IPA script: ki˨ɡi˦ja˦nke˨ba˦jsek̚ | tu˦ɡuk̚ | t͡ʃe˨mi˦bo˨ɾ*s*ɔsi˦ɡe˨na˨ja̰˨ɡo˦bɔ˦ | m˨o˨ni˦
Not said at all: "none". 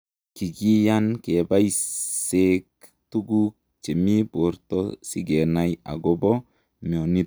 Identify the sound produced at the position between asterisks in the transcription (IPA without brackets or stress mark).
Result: t